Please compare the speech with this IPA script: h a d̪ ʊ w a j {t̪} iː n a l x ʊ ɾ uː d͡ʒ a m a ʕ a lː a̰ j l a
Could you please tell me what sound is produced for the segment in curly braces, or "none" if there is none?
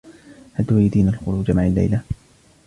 d̪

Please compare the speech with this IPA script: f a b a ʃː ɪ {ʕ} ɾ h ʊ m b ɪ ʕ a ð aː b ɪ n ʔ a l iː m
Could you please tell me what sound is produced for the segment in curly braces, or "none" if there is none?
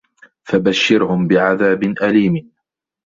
none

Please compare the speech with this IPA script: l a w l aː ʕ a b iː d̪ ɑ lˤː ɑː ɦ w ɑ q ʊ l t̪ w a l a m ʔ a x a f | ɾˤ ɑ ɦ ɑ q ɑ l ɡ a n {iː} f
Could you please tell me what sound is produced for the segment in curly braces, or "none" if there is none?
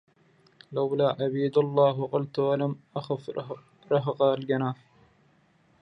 aː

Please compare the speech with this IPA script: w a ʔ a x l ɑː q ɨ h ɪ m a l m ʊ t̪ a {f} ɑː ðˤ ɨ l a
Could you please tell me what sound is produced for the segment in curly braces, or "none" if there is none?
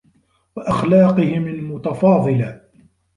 f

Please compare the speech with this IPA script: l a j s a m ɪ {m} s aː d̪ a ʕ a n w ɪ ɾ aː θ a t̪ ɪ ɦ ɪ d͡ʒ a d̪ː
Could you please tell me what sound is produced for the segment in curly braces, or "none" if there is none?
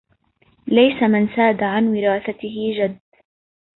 n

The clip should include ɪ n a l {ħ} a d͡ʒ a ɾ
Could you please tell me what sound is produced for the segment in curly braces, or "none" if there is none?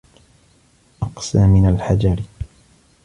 ħ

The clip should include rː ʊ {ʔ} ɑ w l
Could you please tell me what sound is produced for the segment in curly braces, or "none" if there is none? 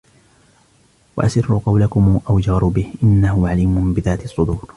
q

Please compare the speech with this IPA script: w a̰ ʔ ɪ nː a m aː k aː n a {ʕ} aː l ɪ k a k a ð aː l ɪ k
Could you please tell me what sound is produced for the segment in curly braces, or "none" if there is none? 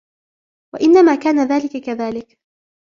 ð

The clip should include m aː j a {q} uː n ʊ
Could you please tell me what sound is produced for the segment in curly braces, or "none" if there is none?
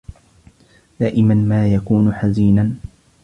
k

